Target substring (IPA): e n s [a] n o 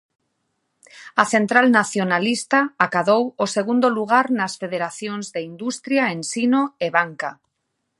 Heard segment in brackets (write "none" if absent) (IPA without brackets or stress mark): i